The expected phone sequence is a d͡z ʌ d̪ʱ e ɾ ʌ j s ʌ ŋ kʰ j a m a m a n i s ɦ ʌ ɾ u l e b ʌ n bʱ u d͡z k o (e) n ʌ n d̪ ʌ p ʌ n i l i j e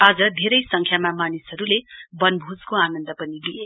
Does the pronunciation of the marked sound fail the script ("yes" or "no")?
yes